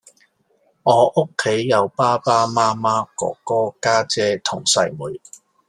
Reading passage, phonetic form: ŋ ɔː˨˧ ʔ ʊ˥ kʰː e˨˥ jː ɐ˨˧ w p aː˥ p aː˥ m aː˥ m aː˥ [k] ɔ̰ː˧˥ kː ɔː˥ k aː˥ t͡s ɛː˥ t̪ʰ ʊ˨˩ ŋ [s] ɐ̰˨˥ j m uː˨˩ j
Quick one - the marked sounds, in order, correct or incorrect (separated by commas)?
correct, correct